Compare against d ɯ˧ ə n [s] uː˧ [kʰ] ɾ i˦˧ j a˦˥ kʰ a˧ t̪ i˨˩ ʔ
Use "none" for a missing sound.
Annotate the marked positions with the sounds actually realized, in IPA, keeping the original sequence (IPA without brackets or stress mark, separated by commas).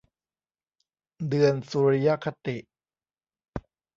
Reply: s, none